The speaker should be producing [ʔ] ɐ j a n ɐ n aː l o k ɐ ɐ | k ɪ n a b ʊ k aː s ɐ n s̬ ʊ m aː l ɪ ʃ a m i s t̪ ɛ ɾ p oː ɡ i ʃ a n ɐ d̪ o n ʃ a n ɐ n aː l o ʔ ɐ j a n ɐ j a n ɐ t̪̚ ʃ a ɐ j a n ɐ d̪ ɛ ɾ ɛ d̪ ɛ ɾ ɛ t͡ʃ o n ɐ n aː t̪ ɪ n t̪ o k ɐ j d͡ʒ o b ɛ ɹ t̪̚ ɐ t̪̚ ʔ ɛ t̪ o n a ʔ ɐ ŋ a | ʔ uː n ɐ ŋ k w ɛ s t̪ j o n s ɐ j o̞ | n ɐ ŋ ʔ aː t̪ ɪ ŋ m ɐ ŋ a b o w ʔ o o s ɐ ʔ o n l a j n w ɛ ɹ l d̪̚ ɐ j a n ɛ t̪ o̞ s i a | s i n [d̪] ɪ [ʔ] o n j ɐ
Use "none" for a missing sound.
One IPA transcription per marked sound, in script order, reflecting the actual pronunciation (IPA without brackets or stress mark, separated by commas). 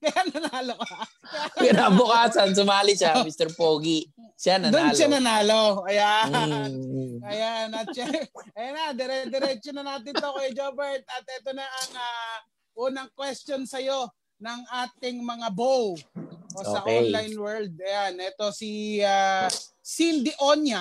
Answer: k, d̪, ʔ